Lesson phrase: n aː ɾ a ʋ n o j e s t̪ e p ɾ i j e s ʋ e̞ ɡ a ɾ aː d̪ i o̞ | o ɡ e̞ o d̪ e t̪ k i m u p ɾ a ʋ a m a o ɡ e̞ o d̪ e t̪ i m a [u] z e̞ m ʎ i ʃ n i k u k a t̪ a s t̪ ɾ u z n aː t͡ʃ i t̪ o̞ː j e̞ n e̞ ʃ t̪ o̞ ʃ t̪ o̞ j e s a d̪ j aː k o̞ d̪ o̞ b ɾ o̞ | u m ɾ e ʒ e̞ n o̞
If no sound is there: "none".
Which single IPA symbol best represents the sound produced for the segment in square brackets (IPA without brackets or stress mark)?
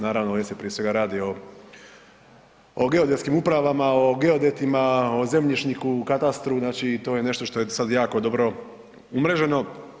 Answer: o